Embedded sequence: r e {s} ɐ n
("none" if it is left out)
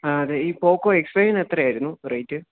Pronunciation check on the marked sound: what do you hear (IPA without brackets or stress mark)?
ʂ